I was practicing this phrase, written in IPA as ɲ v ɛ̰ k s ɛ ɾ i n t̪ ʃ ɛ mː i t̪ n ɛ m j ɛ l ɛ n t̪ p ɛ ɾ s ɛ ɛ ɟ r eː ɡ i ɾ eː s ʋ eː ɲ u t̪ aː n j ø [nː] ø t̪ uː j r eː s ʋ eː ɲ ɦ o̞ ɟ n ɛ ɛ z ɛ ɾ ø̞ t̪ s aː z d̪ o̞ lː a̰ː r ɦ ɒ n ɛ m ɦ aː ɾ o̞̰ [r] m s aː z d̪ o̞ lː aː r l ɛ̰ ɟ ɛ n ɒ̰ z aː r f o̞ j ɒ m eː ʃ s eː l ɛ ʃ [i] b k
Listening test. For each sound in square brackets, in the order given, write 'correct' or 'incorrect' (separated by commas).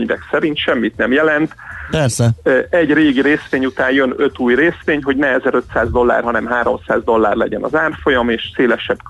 incorrect, incorrect, incorrect